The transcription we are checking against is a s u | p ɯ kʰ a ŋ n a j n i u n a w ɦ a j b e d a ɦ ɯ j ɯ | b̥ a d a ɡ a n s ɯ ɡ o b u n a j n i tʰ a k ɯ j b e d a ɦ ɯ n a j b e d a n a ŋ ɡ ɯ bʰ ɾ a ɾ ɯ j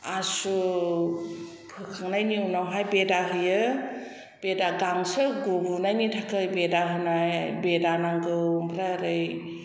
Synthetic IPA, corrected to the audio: a s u | pʰ ɯ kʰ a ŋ n a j n i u n a w ɦ a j b e d a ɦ ɯ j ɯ | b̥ e d a ɡ a ŋ s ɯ ɡ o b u n a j n i tʰ a k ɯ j b e d a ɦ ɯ n a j b e d a n a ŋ ɡ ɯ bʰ ɾ a ɾ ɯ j